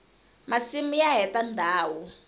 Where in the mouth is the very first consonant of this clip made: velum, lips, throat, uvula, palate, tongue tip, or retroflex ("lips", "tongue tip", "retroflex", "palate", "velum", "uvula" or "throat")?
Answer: lips